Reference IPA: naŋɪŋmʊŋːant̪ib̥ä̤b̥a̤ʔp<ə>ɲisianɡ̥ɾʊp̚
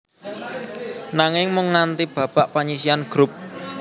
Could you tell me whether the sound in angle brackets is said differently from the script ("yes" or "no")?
yes